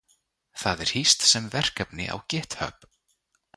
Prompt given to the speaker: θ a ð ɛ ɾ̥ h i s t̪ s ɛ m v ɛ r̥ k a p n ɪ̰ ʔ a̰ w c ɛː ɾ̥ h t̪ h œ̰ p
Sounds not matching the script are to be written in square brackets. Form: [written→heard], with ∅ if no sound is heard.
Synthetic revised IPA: θ a ð ɛ ɾ̥ h i s t̪ s ɛ m v ɛ r̥ k a p n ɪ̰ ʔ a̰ w c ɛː [ɾ̥→∅] h t̪ h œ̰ p